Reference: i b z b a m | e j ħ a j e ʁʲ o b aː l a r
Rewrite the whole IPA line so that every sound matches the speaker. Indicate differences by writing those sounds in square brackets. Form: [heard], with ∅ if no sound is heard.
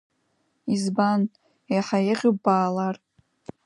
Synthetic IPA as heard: i [∅] z b a [n] | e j ħ a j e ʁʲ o b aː l a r